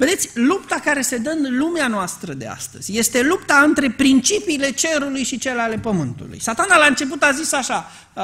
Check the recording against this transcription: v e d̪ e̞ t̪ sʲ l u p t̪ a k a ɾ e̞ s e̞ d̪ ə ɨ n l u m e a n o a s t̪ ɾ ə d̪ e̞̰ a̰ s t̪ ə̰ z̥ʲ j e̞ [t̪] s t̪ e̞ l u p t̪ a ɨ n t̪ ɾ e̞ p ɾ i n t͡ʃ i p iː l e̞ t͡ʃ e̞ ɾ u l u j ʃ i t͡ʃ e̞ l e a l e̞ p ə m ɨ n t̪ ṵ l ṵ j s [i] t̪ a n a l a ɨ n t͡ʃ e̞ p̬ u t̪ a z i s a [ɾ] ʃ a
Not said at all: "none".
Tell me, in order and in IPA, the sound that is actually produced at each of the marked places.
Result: none, a, none

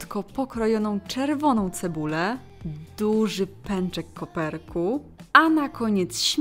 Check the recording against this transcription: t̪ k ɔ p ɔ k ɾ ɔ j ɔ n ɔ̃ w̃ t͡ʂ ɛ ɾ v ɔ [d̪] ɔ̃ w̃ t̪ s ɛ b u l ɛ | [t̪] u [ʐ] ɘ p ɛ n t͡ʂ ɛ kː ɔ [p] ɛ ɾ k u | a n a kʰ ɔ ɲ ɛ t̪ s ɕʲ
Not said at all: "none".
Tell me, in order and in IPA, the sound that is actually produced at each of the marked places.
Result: n̪, d̪, ʐ, p

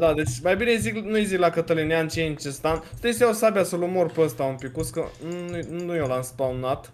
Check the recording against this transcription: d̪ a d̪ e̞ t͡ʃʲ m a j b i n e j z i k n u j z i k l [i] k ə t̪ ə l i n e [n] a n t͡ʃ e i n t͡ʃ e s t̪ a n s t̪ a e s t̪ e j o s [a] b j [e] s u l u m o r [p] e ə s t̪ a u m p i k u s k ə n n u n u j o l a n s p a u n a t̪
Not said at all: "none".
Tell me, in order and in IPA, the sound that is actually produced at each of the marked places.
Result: a, none, a, a, p

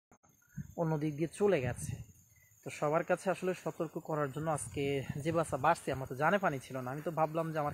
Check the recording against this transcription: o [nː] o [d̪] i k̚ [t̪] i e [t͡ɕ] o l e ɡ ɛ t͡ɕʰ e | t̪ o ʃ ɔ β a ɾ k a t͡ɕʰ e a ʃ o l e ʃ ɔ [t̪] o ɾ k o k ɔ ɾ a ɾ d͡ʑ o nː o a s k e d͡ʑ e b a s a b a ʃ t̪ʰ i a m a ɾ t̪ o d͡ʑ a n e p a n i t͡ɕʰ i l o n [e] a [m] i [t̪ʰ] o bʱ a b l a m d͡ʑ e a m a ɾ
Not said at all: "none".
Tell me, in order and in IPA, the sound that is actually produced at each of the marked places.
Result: nː, d̪, d̪, t͡ɕ, t̪, a, m, t̪

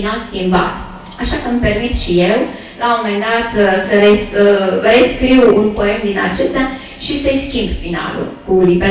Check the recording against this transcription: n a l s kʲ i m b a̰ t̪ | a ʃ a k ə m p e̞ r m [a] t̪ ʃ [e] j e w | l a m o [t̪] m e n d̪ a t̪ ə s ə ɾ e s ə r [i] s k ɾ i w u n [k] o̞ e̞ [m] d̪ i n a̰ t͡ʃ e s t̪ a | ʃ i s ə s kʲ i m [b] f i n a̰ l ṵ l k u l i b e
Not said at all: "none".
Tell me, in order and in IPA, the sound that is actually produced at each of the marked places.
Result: i, i, none, e, p, m, b

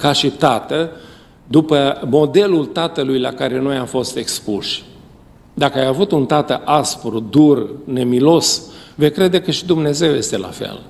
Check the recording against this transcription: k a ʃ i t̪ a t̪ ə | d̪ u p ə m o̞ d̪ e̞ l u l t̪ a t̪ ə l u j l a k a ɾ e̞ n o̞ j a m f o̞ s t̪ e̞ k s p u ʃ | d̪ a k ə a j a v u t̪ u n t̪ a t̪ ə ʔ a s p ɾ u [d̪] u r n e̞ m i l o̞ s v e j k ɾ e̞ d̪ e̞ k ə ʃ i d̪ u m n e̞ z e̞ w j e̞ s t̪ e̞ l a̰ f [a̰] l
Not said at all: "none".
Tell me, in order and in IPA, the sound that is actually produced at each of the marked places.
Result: d̪, ḛ

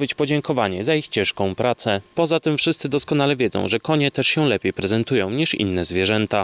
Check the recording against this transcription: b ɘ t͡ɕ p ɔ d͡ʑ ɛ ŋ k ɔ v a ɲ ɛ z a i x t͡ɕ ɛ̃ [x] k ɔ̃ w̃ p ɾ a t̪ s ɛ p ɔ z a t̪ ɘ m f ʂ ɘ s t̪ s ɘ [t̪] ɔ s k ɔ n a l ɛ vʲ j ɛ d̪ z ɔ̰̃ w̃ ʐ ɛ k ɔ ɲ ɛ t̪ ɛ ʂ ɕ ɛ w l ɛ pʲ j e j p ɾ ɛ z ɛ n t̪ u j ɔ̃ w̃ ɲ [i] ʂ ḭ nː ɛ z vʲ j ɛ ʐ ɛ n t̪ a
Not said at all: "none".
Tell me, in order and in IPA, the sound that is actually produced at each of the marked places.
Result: ʂ, d̪, i

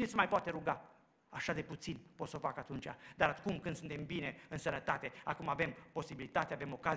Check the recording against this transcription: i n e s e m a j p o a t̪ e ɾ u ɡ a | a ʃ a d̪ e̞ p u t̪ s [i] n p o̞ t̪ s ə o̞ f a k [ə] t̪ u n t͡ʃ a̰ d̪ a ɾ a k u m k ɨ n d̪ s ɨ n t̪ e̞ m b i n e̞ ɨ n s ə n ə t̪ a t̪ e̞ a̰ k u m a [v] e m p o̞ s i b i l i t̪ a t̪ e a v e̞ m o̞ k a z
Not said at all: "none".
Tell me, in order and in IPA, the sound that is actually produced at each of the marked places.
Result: i, a, v

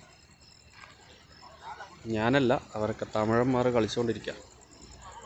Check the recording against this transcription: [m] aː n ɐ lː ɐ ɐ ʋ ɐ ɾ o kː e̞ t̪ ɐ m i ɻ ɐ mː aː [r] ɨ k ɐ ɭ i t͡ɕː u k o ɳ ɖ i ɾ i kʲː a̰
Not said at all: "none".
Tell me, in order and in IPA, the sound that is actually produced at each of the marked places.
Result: ɲ, r

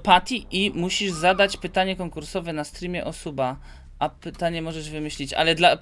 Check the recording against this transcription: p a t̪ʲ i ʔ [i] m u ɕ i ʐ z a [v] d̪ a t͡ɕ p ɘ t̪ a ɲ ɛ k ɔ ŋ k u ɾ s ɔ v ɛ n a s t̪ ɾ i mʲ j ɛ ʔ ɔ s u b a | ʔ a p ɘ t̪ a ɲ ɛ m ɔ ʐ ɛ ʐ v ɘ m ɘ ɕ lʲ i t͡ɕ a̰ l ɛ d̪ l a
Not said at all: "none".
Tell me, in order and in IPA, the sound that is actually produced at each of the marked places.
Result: i, none

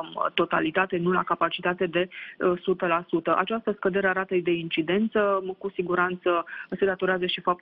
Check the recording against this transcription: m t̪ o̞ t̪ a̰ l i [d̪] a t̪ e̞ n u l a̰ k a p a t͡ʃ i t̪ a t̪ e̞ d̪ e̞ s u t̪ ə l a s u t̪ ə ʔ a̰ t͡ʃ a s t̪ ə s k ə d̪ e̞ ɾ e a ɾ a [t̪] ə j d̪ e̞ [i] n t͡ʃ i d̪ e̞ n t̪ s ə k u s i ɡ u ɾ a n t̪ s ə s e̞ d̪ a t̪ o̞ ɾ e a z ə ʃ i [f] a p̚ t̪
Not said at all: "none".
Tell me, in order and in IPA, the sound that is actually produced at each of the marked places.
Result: t̪, t̪, i, f

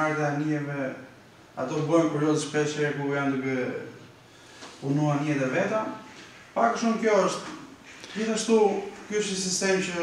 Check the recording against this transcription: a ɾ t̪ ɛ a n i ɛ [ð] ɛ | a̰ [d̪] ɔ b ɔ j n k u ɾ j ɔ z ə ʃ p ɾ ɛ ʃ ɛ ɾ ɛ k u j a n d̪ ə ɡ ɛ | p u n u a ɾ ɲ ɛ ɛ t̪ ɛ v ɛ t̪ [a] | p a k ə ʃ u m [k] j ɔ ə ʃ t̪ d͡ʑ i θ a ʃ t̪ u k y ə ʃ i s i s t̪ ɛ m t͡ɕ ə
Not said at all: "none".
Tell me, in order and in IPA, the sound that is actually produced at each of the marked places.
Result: v, t̪, a, k

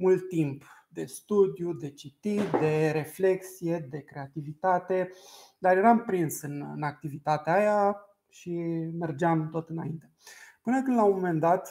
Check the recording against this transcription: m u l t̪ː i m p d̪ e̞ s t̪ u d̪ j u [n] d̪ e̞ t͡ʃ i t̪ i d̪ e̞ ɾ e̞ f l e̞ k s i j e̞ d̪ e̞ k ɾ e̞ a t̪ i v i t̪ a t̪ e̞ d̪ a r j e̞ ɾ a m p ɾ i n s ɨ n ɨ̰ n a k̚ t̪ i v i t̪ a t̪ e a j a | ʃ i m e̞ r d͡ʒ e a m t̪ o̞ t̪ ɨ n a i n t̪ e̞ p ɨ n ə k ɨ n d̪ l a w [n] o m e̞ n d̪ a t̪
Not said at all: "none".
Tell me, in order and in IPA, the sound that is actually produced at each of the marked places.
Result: none, m

